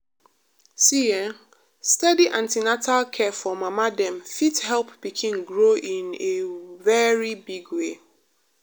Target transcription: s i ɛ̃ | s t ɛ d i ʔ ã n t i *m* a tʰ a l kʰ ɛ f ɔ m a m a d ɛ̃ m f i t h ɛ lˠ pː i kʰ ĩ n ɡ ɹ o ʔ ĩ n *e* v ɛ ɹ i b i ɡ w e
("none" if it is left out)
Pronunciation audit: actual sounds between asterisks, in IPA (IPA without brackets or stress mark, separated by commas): n, e